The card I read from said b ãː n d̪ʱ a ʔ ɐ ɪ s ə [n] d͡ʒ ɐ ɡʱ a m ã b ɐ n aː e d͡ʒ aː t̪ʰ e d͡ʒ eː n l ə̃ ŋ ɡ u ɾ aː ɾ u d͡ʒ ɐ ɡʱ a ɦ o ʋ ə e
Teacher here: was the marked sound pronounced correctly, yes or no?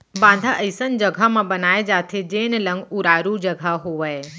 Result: yes